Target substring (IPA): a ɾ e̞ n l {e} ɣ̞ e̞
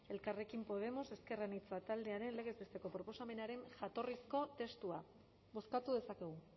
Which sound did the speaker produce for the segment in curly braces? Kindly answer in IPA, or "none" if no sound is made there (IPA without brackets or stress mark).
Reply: e